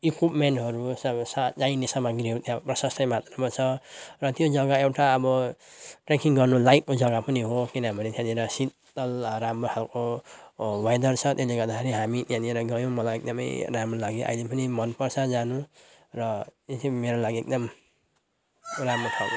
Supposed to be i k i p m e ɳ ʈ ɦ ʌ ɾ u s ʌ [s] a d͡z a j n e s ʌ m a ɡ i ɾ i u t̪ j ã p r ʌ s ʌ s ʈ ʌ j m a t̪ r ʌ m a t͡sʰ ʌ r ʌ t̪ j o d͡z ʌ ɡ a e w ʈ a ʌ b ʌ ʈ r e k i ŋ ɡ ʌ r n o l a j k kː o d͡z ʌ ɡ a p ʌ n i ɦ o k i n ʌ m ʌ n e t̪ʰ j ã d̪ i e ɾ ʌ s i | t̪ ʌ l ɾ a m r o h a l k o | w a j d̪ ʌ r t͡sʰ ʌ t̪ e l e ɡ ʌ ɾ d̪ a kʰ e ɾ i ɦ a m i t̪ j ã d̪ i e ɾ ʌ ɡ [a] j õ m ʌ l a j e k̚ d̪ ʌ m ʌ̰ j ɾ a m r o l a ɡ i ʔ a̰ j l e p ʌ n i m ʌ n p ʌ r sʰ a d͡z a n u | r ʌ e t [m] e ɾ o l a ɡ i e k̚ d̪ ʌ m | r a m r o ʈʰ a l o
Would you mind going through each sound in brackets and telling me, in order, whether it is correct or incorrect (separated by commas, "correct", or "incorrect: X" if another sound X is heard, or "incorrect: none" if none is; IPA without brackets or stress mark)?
correct, incorrect: ʌ, correct